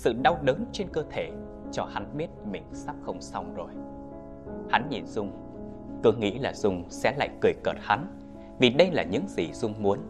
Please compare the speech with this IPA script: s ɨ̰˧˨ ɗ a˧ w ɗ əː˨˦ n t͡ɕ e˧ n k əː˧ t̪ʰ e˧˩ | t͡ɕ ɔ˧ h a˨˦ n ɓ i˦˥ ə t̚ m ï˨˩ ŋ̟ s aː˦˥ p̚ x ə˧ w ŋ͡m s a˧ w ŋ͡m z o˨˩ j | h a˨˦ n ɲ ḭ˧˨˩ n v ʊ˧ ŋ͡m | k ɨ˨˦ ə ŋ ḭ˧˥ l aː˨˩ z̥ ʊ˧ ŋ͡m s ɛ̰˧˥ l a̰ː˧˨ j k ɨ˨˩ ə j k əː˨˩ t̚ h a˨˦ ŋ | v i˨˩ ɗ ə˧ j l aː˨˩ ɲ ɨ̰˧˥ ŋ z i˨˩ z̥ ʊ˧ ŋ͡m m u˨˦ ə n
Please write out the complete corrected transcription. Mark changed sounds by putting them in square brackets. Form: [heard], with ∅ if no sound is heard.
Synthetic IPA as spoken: s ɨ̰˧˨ ɗ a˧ w ɗ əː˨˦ n t͡ɕ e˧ n k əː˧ t̪ʰ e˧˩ | t͡ɕ ɔ˧ h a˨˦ n ɓ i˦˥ ə t̚ m ï˨˩ ŋ̟ s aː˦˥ p̚ x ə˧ w ŋ͡m s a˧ w ŋ͡m z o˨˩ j | h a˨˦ n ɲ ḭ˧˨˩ n [z] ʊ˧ ŋ͡m | k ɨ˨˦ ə ŋ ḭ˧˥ l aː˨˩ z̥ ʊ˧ ŋ͡m s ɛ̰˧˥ l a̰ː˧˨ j k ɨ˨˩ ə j k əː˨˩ t̚ h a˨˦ [n] | v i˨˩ ɗ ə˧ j l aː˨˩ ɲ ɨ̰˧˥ ŋ z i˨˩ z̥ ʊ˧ ŋ͡m m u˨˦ ə n